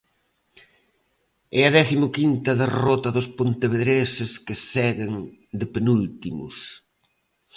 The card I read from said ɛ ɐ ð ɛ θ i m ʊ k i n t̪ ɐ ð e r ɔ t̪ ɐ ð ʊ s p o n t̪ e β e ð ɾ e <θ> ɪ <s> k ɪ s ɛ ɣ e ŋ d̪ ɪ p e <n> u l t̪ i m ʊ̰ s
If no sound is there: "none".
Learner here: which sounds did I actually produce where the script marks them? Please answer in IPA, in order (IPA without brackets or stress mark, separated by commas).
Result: s, s, n